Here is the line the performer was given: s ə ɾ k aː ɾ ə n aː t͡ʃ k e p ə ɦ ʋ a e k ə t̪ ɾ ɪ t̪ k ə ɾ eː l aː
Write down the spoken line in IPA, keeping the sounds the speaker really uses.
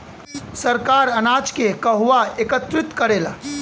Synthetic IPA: s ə ɾ k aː ɾ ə n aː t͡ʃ k e k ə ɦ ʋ a e k ə t̪ ɾ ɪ t̪ k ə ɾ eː l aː